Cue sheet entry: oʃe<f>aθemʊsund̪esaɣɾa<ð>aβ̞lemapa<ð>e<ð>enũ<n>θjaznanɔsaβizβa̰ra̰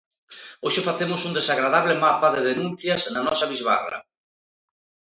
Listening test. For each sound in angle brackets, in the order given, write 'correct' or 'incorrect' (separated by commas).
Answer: correct, correct, correct, correct, correct